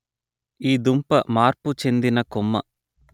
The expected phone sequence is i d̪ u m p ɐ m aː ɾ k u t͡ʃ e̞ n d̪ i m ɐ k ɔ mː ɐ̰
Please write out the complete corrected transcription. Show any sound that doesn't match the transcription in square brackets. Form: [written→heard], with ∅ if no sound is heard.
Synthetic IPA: [i→iː] d̪ u m p ɐ m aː ɾ [k→p] u t͡ʃ e̞ n d̪ i [m→n] ɐ k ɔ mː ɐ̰